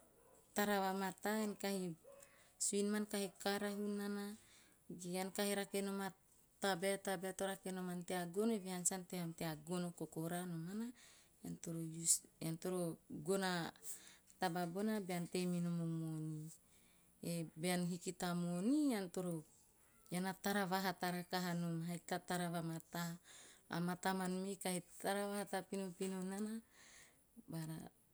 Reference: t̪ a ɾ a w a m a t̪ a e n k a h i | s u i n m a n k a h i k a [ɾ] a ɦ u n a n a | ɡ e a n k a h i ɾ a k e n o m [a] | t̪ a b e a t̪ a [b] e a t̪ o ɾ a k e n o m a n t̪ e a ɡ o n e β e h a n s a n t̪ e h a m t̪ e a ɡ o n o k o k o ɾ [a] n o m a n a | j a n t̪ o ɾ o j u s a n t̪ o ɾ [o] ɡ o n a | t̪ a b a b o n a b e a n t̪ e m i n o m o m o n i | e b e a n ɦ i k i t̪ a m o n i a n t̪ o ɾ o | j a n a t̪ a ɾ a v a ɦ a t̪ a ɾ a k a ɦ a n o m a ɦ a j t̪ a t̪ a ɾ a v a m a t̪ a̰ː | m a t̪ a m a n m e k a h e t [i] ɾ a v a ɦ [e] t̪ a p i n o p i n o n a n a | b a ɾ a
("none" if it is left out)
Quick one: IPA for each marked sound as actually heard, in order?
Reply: ɾ, a, b, a, o, a, a

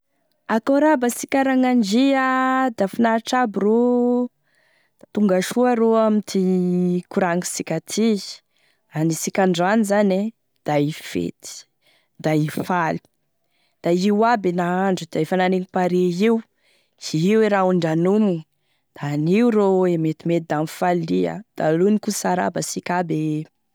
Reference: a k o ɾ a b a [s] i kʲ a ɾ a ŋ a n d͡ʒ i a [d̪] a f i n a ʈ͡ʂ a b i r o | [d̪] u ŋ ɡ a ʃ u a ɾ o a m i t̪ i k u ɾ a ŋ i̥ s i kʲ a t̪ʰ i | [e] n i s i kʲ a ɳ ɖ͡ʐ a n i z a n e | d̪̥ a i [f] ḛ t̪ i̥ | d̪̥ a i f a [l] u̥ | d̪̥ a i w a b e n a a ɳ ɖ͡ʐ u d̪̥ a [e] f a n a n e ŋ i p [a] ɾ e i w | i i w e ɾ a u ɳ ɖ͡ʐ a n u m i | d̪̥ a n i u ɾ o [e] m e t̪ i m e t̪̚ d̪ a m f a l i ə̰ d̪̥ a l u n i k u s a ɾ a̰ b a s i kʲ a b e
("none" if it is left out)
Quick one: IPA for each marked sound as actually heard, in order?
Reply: s, d̪, t̪, a, f, l, e, a, e

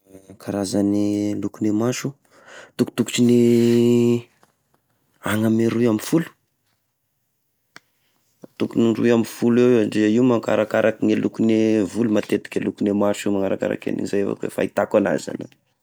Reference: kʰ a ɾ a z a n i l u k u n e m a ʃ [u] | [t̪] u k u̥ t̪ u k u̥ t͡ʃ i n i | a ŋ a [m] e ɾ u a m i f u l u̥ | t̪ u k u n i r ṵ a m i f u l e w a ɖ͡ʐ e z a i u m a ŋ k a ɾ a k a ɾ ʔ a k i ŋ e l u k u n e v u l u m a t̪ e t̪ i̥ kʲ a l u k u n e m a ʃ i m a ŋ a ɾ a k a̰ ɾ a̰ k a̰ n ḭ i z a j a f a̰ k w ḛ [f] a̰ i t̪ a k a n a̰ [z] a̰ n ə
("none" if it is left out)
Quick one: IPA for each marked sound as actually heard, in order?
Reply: u, t̪, m, f, z

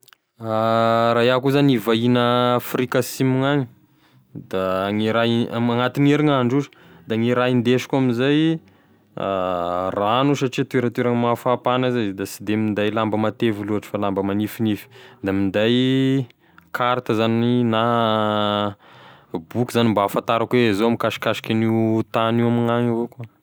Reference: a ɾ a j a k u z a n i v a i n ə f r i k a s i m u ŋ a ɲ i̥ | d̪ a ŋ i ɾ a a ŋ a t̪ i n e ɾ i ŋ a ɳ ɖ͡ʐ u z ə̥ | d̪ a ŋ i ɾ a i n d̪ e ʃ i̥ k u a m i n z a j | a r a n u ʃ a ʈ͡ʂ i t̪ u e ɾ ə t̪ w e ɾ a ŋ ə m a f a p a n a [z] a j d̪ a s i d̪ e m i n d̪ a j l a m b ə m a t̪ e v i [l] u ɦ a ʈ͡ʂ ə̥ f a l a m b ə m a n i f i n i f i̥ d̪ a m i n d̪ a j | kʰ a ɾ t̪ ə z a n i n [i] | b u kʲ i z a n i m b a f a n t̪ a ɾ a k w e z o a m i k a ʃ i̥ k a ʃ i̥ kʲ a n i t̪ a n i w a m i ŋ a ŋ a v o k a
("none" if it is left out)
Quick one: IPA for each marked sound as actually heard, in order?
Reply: z, l, a

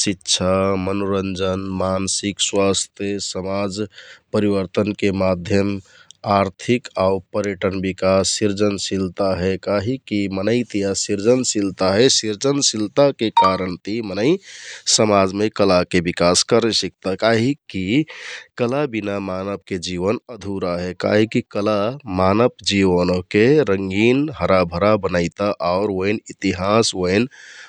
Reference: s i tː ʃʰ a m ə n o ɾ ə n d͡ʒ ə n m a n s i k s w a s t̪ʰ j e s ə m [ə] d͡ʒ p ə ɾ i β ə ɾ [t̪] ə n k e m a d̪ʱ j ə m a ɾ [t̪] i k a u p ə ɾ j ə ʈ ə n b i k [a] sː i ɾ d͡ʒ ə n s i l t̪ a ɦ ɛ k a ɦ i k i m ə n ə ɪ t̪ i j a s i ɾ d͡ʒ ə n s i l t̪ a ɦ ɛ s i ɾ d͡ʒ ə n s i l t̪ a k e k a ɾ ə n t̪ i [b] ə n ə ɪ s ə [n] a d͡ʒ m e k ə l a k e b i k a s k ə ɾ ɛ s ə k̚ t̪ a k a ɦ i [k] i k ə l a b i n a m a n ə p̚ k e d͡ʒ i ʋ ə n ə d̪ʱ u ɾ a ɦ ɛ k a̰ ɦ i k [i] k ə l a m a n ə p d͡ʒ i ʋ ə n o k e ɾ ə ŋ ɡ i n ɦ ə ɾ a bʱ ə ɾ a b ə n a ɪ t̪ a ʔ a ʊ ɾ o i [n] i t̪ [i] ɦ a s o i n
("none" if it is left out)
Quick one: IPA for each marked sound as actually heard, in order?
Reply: a, t̪, t̪ʰ, a, m, m, k, i, n, i

